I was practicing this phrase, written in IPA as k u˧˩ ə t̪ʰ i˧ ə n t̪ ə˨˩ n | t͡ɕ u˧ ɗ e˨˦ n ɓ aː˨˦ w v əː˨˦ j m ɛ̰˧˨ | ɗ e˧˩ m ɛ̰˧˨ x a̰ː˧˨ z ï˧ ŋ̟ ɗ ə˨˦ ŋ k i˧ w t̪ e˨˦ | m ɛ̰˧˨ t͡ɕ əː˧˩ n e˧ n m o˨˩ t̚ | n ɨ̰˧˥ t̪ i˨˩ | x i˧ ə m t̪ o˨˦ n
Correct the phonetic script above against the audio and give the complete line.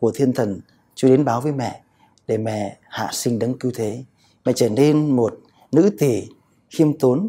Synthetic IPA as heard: k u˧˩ ə t̪ʰ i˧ ə n t̪ʰ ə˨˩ n | t͡ɕ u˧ ɗ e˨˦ n ɓ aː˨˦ w v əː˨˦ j m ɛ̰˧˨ | ɗ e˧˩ m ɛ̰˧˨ h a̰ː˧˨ s ï˧ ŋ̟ ɗ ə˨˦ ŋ k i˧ w t̪ʰ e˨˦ | m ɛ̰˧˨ t͡ɕ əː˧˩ n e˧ n m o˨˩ t̚ | n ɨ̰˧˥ t̪ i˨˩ | x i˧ ə m t̪ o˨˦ n